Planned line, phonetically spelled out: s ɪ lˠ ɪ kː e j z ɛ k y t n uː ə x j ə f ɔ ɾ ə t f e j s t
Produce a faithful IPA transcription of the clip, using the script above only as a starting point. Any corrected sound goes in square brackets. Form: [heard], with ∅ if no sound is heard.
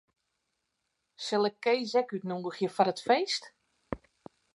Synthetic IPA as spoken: s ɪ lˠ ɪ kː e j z ɛ k y t n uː ə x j ə f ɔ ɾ ə t f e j s t